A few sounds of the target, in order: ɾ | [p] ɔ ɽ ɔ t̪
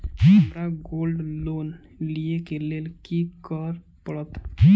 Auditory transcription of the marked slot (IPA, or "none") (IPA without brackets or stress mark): p